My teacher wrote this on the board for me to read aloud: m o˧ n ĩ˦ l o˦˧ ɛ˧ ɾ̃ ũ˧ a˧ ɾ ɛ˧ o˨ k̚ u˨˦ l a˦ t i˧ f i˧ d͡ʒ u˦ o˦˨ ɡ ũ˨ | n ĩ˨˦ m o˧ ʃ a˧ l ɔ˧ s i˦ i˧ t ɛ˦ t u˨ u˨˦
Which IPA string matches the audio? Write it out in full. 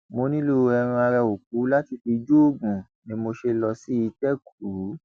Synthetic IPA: m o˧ n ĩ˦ l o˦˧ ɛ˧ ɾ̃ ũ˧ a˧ ɾ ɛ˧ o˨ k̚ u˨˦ l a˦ t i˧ f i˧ d͡ʒ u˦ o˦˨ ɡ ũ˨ | n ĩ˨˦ m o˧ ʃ e˧ l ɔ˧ s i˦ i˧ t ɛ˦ k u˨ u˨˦